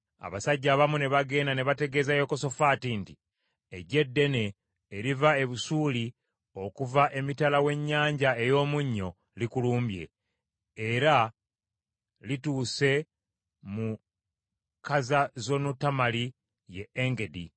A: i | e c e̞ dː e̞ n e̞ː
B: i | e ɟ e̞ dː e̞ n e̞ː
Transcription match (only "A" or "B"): B